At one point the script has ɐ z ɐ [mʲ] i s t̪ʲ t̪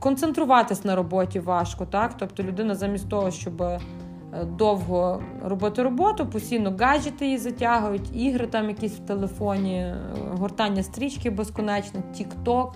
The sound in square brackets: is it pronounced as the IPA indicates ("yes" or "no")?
yes